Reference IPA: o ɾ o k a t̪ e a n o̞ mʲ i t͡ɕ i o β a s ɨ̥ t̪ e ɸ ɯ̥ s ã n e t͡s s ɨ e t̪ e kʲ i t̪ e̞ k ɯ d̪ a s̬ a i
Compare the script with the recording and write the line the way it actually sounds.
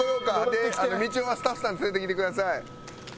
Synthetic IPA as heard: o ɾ o k a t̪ e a n o̞ mʲ i t͡ɕ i o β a s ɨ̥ t̪ a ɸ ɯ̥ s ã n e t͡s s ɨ e t̪ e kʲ i t̪ e̞ k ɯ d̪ a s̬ a i